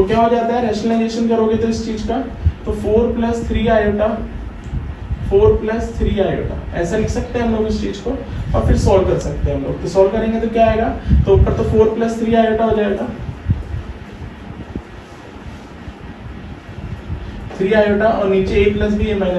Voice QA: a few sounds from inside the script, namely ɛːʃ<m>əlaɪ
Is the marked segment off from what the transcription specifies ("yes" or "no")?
yes